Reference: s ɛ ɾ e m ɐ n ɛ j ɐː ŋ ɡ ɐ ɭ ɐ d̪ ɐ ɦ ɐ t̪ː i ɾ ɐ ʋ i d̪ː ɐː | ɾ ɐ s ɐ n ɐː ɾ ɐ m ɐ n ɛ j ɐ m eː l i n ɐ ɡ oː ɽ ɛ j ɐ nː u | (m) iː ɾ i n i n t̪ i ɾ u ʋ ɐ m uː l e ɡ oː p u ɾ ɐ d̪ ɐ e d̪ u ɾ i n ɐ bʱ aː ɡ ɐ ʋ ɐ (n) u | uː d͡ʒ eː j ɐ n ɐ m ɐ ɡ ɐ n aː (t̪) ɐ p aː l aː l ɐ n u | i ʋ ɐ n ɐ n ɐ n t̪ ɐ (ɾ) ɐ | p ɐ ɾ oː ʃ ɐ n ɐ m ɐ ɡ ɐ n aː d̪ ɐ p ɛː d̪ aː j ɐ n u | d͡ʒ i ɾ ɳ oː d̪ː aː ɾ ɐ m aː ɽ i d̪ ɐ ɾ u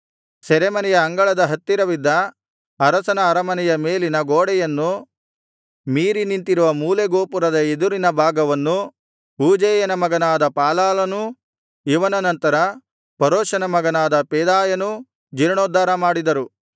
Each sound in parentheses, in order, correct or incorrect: correct, incorrect, incorrect, correct

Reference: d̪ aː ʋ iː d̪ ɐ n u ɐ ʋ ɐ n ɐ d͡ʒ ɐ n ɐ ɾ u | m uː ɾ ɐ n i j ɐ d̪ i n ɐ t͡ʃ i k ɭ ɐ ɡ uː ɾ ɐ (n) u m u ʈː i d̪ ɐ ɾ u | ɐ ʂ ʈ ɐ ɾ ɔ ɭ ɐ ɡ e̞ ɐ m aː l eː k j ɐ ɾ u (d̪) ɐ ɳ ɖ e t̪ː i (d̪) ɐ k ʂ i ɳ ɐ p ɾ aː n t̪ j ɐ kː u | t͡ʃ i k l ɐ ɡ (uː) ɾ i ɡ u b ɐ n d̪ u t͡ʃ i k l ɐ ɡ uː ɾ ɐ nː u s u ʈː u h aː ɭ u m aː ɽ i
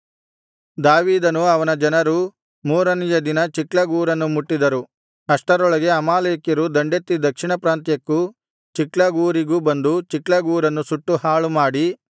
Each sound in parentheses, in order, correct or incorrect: incorrect, correct, correct, correct

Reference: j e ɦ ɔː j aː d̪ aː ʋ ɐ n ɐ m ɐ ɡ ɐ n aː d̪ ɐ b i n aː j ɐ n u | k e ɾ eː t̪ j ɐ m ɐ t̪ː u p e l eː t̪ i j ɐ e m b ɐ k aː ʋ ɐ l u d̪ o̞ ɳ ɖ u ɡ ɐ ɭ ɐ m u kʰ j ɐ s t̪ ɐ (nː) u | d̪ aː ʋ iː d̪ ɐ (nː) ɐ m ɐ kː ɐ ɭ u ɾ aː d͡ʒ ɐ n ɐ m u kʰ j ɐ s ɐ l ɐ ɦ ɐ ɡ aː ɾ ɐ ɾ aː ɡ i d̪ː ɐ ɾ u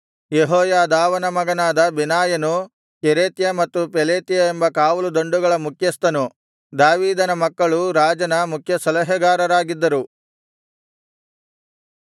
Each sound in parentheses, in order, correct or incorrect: incorrect, incorrect

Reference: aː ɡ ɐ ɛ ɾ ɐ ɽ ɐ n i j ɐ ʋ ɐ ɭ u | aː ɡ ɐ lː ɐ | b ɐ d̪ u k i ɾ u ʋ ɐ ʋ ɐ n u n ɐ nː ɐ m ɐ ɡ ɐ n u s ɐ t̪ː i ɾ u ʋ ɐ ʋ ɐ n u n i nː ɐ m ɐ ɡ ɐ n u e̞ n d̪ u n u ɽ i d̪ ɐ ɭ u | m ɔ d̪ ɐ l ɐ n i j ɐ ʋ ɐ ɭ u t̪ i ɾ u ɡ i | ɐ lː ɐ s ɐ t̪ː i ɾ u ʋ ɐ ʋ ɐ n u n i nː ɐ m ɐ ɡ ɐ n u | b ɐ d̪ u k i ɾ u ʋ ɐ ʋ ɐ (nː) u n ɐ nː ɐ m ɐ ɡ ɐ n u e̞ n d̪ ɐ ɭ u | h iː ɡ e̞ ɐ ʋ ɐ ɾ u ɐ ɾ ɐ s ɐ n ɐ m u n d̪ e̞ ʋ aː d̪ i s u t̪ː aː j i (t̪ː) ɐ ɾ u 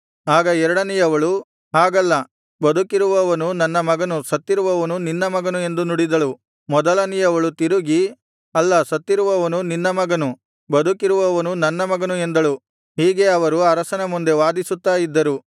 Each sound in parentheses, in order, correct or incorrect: incorrect, incorrect

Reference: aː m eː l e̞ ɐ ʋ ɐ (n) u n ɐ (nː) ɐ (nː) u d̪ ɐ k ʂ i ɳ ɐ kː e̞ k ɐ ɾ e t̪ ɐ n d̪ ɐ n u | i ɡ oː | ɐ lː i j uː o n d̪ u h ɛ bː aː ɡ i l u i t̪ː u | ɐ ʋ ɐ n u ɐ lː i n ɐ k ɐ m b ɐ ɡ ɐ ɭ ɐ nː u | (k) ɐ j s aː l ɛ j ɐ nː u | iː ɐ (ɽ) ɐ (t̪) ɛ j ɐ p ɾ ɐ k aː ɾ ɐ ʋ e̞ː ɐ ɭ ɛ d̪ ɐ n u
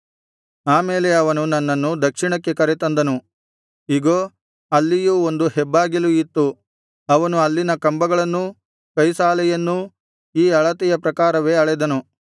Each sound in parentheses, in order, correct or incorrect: correct, correct, correct, correct, incorrect, correct

